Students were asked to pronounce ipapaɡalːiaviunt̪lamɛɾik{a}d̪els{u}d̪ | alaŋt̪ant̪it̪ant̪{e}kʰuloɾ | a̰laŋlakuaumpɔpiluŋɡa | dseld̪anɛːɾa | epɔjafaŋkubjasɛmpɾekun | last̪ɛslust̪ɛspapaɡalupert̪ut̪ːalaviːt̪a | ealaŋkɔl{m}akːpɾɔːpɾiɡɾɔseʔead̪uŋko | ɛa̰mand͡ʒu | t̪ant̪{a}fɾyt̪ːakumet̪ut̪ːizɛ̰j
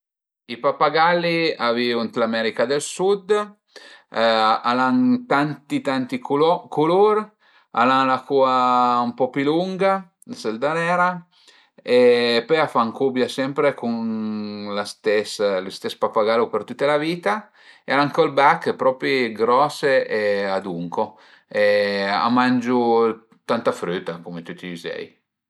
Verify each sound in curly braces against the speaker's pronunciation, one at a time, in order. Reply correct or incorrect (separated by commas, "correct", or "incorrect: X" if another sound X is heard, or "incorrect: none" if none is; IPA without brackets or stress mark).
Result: correct, correct, incorrect: i, incorrect: b, correct